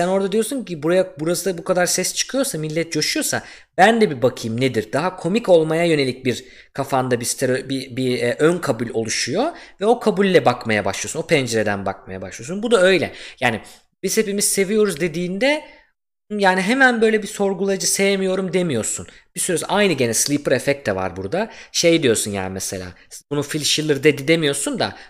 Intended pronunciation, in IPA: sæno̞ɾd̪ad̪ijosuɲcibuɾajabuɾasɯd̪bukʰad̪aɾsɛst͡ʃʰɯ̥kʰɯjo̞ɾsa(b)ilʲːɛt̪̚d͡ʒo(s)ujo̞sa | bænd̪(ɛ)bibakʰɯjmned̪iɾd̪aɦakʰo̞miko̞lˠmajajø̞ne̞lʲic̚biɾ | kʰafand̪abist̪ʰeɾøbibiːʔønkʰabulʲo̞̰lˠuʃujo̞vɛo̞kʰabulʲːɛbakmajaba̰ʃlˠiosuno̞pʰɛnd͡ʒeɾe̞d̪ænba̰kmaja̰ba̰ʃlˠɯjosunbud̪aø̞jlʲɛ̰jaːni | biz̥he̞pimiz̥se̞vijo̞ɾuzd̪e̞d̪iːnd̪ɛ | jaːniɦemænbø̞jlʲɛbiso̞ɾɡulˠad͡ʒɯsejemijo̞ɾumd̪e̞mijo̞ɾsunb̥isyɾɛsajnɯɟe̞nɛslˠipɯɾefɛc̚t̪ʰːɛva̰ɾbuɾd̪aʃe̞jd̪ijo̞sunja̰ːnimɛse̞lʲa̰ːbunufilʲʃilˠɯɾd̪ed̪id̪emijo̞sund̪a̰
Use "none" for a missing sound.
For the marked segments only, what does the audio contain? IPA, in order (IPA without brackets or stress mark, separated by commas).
m, ʃ, ɛ